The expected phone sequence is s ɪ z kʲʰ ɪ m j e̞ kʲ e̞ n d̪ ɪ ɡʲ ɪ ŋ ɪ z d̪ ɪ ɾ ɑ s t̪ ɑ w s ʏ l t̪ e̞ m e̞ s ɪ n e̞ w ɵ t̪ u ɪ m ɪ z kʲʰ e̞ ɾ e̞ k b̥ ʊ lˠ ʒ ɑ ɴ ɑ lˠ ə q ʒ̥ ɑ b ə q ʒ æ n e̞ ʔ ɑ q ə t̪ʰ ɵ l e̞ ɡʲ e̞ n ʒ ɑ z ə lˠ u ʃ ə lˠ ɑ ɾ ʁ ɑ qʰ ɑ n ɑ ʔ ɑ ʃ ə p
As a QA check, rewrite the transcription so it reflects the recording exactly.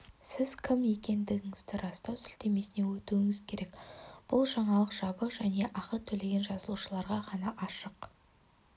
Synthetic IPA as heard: s ɪ z kʲʰ ɪ m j e̞ kʲ e̞ n d̪ ɪ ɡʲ ɪ ŋ ɪ z d̪ ɪ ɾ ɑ s t̪ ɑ w s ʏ l t̪ e̞ m e̞ s ɪ n e̞ w ɵ t̪ u ɪ ŋ ɪ z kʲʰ e̞ ɾ e̞ k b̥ ʊ lˠ ʒ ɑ ɴ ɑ lˠ ə q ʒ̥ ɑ b ə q ʒ æ n e̞ ʔ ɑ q ə t̪ʰ ɵ l e̞ ɡʲ e̞ n ʒ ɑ z ə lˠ u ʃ ə lˠ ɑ ɾ ʁ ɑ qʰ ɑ n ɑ ʔ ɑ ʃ ə q

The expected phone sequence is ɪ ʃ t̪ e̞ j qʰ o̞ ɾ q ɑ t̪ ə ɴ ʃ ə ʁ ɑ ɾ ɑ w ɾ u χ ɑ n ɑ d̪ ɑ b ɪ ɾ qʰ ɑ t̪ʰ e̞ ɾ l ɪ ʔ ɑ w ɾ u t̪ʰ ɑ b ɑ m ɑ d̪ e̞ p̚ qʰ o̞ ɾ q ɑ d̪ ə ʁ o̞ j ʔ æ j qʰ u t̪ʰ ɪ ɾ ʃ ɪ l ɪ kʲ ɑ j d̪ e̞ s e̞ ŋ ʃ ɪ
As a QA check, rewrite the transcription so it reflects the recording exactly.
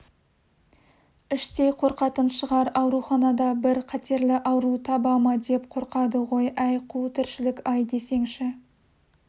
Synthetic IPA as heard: ɪ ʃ t̪ e̞ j qʰ o̞ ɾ q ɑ t̪ ə n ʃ ə ʁ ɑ ɾ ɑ w ɾ u χ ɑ n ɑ d̪ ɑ b ɪ ɾ qʰ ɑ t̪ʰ e̞ ɾ l ɪ ʔ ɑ w ɾ u t̪ʰ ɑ b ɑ m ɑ d̪ e̞ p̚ qʰ o̞ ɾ q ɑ d̪ ə ʁ o̞ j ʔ æ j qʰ u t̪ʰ ɪ ɾ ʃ ɪ l ɪ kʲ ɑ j d̪ e̞ s e̞ ŋ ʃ ɪ

